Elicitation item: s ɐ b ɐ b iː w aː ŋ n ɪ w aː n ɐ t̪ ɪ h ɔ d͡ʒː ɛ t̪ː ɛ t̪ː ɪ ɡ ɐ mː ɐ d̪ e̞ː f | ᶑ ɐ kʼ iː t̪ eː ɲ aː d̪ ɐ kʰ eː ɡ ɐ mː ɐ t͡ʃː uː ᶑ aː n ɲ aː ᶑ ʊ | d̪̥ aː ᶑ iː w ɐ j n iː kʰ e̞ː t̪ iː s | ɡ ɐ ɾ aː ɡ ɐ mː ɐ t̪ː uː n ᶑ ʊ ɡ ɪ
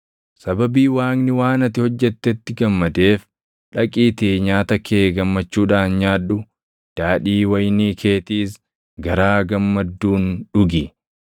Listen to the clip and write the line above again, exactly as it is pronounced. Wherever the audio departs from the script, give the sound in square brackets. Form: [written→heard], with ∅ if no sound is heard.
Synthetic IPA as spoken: s ɐ b ɐ b iː w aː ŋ n ɪ w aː n ɐ t̪ ɪ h ɔ d͡ʒː ɛ t̪ː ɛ t̪ː ɪ ɡ ɐ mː ɐ d̪ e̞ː f | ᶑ ɐ kʼ iː t̪ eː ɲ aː [d̪→t̪] ɐ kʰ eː ɡ ɐ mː ɐ t͡ʃː uː ᶑ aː n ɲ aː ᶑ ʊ | d̪̥ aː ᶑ iː w ɐ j n iː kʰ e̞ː t̪ iː s | ɡ ɐ ɾ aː ɡ ɐ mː ɐ [t̪ː→d̪ː] uː n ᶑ ʊ ɡ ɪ